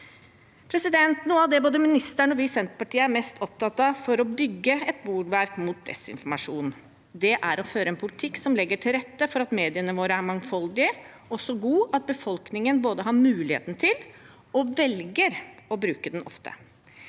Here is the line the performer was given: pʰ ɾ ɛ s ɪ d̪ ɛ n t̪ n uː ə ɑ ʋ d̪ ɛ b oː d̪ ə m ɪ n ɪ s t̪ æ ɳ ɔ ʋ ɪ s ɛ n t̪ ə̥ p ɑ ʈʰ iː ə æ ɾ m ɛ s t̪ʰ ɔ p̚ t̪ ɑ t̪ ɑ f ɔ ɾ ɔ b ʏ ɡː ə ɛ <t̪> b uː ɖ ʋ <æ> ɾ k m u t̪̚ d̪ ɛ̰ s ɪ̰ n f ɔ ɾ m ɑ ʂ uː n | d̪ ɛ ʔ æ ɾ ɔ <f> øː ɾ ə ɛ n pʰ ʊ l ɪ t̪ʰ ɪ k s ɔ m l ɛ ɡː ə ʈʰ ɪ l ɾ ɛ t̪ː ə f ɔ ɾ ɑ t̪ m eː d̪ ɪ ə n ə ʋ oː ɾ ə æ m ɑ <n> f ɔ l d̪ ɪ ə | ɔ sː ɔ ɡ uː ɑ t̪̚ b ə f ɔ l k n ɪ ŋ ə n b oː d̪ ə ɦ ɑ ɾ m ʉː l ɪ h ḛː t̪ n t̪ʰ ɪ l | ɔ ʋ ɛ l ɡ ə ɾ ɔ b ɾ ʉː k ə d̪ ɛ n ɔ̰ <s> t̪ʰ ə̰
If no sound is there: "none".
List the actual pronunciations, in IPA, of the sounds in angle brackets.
t̪, æ, f, ŋ, f

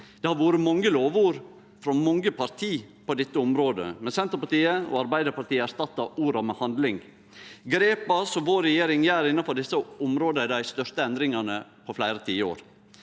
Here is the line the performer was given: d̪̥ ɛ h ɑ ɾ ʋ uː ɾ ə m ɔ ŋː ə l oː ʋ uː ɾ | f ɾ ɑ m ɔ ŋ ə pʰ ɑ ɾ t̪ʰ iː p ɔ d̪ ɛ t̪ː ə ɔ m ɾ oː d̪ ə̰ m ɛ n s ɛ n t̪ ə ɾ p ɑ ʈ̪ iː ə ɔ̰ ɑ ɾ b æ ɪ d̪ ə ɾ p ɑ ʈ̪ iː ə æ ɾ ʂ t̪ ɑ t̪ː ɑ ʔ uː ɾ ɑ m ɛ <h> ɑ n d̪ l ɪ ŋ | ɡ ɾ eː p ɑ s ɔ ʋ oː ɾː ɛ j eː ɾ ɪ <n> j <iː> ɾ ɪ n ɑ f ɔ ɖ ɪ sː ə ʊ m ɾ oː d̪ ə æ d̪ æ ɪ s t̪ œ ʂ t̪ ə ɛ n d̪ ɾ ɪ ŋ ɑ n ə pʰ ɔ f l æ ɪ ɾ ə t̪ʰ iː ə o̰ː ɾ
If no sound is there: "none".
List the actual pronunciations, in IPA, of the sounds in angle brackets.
h, ŋ, æː

